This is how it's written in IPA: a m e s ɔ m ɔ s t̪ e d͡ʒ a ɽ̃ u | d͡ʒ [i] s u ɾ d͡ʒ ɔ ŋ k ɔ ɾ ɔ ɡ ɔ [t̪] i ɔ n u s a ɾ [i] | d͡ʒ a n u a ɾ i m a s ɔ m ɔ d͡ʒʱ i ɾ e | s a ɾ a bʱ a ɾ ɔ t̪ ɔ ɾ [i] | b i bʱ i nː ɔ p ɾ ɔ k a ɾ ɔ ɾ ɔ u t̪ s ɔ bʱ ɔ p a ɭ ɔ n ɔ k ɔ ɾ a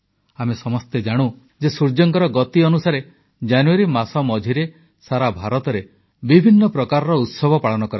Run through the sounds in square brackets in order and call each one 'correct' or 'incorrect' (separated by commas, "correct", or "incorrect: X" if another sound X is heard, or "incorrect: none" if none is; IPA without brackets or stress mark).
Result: incorrect: e, correct, incorrect: e, incorrect: e